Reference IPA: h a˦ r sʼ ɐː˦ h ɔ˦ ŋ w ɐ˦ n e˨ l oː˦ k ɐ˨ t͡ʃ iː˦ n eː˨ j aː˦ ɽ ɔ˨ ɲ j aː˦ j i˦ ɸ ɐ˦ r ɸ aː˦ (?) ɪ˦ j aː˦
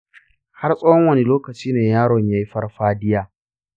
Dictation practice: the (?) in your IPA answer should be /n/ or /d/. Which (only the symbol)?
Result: d